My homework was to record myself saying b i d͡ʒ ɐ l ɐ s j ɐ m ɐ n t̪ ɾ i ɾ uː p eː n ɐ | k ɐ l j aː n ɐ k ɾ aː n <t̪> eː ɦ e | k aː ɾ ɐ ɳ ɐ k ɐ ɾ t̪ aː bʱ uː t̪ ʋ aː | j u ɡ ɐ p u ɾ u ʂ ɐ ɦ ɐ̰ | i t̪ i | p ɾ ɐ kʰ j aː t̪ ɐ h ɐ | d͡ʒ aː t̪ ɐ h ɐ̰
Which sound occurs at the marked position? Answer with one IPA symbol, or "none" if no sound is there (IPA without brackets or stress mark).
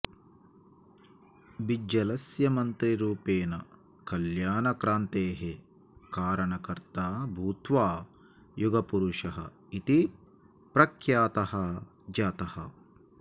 t̪